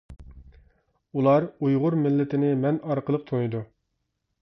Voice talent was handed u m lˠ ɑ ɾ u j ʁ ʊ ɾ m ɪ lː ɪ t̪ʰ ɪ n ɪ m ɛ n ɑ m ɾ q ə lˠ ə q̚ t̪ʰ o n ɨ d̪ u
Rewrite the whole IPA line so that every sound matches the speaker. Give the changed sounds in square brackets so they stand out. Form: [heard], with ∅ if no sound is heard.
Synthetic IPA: u [∅] lˠ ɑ ɾ u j ʁ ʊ ɾ m ɪ lː ɪ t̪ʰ ɪ n ɪ m ɛ n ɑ [∅] ɾ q ə lˠ ə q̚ t̪ʰ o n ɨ d̪ u